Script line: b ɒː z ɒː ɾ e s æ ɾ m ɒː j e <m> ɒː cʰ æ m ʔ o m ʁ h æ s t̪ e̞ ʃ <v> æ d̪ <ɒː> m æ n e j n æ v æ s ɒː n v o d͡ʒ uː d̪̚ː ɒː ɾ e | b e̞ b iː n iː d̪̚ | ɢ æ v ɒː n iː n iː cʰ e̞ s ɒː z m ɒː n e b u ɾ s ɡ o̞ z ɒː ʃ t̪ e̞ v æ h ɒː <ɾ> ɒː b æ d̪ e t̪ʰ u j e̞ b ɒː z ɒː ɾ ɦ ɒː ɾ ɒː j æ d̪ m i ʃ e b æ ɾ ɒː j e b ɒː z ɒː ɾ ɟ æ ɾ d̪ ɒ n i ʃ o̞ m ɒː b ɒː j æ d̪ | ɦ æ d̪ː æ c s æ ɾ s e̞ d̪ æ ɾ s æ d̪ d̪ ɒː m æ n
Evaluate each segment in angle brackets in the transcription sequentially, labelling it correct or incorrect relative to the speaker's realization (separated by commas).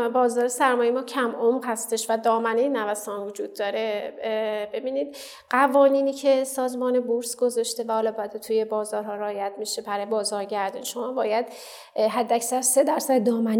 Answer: correct, correct, correct, incorrect